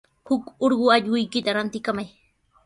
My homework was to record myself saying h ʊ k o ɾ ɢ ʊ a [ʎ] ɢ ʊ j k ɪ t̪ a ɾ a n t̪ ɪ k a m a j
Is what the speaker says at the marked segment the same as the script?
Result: yes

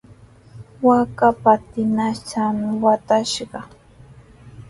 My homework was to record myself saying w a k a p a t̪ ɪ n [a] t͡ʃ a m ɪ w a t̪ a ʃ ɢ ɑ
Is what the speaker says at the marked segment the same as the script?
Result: yes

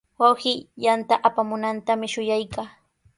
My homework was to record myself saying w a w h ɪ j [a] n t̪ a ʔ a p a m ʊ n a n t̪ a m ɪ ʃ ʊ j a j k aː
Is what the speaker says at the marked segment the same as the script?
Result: yes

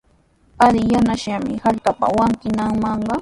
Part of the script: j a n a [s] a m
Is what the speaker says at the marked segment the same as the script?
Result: no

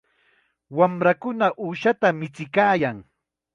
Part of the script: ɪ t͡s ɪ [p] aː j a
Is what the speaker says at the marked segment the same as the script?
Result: no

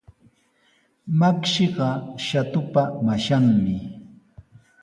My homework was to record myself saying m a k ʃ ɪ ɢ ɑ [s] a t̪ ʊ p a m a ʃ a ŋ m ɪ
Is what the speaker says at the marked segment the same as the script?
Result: no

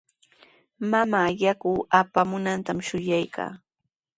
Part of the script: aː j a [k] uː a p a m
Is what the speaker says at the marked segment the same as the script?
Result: yes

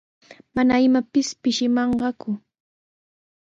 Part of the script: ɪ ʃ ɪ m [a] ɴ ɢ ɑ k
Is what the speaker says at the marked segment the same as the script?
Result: no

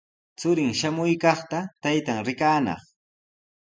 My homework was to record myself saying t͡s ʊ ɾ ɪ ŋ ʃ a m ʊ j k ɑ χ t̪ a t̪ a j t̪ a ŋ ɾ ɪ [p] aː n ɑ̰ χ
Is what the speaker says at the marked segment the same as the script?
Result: no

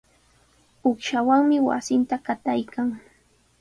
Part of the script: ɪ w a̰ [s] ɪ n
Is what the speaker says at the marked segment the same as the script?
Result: yes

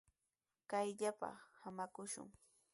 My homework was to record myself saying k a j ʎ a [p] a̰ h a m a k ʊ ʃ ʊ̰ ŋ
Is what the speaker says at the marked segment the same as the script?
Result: yes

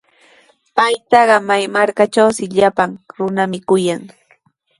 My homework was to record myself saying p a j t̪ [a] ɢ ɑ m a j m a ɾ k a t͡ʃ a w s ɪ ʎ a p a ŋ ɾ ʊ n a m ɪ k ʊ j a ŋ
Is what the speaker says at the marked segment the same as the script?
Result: no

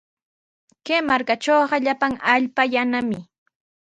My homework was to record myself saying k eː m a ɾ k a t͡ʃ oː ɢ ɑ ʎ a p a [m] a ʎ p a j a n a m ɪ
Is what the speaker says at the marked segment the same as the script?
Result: no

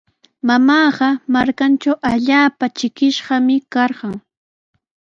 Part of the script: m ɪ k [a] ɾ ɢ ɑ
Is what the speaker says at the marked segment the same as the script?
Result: no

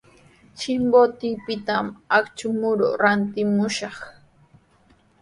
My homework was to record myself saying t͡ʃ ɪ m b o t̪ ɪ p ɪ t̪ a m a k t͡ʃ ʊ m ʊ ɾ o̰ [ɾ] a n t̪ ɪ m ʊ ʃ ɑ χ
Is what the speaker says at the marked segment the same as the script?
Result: yes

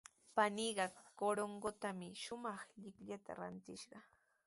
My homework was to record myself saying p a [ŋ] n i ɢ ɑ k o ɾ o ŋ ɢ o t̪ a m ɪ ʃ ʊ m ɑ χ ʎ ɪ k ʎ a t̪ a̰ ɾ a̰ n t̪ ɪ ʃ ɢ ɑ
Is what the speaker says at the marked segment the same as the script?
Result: no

